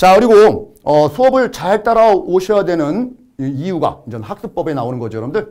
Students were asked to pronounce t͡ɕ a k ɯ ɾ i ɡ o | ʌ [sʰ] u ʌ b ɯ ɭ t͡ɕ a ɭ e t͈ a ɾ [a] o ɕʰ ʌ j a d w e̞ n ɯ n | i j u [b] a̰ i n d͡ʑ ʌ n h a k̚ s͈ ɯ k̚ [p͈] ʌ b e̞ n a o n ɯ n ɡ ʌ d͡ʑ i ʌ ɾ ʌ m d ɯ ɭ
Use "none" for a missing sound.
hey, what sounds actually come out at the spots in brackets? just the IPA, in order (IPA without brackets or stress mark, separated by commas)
sʰ, a, ɡ, p͈